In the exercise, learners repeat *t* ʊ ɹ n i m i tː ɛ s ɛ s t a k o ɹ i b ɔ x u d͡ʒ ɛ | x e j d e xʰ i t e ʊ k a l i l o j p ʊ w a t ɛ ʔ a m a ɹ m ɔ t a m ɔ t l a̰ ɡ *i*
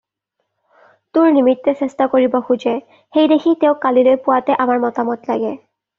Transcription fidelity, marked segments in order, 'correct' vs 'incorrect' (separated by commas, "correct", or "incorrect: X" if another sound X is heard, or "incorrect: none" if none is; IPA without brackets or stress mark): correct, incorrect: ɛ